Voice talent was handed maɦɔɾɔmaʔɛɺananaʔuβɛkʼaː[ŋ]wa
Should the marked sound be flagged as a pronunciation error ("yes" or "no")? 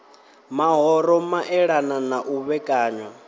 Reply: yes